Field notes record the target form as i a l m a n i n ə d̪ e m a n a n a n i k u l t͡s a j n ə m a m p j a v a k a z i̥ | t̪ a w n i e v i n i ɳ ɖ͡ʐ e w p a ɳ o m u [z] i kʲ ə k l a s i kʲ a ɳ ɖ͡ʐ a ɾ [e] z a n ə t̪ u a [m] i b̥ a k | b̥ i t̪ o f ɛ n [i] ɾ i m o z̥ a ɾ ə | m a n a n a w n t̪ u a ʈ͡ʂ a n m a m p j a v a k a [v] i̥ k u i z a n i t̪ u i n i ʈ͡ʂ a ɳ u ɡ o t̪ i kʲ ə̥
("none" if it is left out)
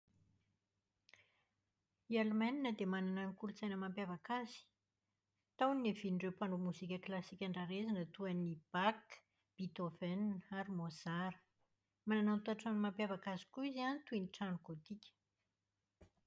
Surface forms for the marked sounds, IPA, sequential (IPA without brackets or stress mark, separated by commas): z, e, n, a, z